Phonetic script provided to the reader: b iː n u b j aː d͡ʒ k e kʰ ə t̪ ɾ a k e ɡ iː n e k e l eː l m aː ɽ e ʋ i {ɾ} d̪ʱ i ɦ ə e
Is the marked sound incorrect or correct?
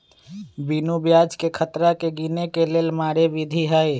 incorrect: none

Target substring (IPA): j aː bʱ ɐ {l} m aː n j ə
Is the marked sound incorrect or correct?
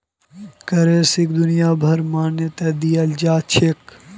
incorrect: ɾ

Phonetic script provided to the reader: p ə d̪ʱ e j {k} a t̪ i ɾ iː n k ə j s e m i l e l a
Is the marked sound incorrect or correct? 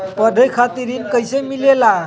incorrect: kʰ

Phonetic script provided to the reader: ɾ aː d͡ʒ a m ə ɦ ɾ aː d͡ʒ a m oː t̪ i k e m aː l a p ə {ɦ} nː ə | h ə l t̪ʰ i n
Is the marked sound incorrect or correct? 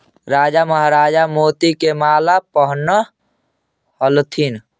correct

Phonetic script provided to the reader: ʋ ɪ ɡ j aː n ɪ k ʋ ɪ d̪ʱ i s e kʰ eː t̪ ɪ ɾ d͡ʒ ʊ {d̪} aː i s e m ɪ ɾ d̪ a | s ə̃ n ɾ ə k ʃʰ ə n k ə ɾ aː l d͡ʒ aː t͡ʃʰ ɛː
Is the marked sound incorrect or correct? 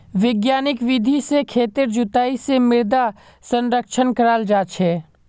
incorrect: t̪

